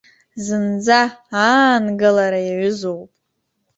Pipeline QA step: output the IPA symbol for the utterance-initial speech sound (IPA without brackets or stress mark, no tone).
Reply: z